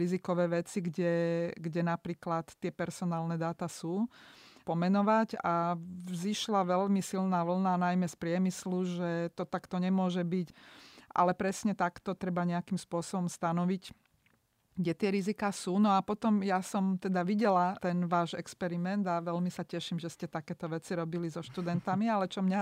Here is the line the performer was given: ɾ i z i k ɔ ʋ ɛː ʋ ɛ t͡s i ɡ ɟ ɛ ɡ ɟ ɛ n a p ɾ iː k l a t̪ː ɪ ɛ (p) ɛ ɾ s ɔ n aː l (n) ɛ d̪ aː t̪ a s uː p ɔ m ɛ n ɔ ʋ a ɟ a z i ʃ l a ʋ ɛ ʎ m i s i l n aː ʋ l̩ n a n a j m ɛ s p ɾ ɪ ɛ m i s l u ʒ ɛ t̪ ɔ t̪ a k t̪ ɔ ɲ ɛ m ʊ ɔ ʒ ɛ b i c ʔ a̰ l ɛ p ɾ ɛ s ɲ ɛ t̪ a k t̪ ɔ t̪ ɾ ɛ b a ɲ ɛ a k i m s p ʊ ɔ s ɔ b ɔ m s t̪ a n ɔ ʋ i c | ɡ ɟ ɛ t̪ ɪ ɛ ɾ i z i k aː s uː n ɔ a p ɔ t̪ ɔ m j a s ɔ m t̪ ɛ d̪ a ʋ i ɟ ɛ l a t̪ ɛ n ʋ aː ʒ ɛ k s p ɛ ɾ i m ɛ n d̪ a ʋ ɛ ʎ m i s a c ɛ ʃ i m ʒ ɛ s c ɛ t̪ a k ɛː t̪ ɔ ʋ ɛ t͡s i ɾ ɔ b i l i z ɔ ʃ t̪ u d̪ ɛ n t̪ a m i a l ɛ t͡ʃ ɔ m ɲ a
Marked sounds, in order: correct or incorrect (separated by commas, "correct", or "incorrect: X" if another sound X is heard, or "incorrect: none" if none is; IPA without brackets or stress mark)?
correct, correct